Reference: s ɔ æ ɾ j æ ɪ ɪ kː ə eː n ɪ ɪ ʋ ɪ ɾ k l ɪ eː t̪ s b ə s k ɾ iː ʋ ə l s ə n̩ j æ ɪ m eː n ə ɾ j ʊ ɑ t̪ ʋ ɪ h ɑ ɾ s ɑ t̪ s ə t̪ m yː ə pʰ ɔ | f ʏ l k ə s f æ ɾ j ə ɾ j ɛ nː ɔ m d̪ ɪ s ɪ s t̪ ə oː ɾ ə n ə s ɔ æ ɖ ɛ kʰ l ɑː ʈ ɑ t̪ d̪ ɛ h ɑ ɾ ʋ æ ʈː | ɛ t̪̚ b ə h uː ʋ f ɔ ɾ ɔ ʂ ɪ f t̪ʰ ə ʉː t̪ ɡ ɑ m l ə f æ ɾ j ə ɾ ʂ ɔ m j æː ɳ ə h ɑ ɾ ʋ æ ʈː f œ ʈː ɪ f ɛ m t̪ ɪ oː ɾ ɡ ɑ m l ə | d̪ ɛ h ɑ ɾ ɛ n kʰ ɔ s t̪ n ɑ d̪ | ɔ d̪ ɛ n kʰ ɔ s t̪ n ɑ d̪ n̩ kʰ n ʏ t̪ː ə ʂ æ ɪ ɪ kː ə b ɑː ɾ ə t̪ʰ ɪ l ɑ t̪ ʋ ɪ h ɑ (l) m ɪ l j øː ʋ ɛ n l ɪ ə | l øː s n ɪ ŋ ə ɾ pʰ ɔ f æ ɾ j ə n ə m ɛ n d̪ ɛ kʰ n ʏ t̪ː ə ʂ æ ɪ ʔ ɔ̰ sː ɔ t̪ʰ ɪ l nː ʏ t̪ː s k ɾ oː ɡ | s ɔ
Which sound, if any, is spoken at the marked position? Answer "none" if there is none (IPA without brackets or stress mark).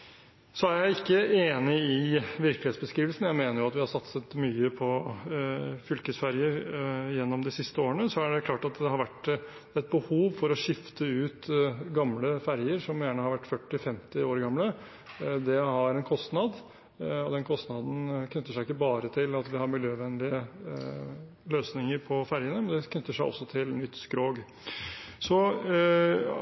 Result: ɾ